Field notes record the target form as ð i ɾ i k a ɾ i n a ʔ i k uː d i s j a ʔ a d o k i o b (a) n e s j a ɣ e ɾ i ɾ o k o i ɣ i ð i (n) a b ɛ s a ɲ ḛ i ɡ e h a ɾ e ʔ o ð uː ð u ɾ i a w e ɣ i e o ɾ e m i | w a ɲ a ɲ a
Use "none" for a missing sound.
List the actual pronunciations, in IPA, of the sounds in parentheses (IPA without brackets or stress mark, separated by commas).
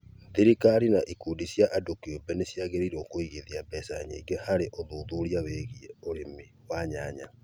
ɛ, none